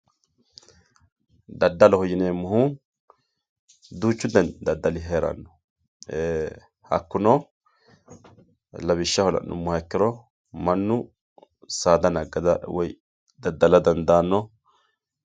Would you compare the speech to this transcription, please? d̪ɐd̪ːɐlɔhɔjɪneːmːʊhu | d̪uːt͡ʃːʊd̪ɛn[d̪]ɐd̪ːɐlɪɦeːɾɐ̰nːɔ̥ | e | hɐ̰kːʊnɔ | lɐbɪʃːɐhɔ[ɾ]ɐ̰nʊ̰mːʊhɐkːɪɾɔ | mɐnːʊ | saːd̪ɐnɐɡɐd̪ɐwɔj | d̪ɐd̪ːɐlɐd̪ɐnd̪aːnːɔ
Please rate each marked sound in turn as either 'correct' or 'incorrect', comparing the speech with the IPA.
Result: correct, incorrect

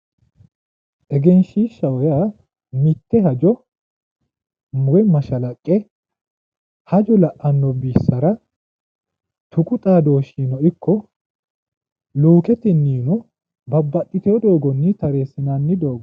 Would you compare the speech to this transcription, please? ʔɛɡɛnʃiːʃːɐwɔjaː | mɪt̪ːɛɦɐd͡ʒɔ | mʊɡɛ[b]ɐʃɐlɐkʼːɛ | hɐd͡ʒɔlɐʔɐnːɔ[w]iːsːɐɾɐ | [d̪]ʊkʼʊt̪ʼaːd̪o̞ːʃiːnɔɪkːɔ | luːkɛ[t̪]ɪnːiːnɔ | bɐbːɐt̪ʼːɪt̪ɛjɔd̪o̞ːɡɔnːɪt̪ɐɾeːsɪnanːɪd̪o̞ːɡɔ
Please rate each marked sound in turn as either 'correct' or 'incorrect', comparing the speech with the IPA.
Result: incorrect, incorrect, incorrect, correct

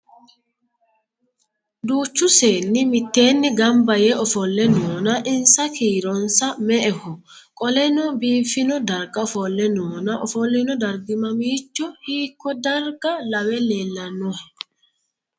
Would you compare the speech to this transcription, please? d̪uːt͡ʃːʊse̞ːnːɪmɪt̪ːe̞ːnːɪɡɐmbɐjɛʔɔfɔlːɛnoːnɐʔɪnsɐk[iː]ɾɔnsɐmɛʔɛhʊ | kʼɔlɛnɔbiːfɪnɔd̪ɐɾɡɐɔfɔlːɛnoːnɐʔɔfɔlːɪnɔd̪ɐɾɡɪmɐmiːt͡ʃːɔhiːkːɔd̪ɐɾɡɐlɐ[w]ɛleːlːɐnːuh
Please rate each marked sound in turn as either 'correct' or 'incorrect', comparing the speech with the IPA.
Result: correct, correct

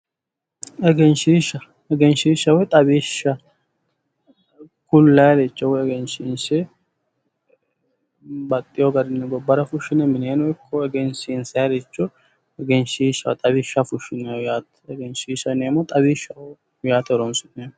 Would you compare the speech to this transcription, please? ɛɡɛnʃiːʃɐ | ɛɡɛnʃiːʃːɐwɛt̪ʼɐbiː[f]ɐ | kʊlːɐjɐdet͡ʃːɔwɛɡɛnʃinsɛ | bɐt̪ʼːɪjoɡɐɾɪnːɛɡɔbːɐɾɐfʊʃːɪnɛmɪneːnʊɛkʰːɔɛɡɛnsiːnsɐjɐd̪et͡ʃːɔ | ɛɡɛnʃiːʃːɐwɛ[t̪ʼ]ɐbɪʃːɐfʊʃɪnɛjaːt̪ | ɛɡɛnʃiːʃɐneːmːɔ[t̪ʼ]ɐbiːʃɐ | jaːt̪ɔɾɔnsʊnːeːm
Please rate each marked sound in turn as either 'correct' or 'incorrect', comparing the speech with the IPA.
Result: incorrect, correct, correct

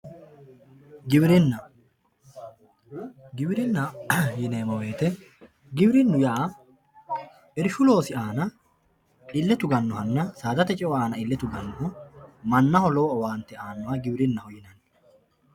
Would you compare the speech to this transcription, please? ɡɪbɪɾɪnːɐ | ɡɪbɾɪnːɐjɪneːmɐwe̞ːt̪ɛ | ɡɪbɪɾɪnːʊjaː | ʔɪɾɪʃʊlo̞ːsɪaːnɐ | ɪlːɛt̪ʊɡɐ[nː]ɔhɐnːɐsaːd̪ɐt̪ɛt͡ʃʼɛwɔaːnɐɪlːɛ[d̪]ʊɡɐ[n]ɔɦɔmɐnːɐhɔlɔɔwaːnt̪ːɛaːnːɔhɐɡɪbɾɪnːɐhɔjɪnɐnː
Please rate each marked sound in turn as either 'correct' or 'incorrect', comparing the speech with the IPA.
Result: correct, incorrect, incorrect

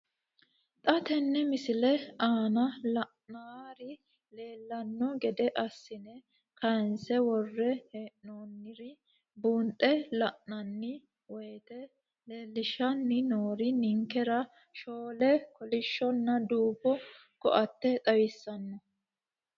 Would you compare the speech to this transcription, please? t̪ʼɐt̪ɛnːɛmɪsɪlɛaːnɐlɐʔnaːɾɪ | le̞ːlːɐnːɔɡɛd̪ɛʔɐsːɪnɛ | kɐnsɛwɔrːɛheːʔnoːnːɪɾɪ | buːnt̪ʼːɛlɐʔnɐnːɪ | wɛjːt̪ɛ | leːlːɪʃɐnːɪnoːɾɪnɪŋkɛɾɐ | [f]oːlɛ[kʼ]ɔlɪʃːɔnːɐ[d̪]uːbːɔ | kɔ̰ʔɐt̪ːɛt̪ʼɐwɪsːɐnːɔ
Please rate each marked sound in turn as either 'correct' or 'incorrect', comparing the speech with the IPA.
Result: incorrect, incorrect, correct

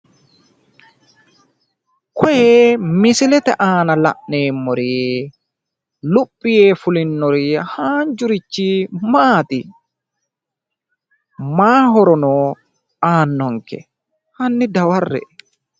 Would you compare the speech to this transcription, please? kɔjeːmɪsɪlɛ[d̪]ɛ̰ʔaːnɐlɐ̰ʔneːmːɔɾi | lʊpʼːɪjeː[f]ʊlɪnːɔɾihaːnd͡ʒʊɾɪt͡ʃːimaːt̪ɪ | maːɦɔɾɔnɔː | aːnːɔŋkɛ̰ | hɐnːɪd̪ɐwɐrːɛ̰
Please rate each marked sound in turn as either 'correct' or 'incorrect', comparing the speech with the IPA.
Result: incorrect, correct

